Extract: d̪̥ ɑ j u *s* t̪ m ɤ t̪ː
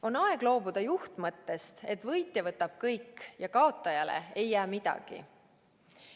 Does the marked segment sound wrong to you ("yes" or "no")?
yes